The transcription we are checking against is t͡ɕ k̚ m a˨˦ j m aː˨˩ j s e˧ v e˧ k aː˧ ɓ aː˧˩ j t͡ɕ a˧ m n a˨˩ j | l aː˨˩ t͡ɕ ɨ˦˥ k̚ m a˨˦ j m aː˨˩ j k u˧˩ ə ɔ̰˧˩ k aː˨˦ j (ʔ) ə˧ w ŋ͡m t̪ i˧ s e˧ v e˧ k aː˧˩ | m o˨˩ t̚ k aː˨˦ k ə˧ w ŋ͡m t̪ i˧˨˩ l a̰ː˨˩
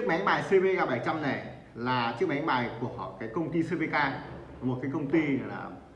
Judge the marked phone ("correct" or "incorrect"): incorrect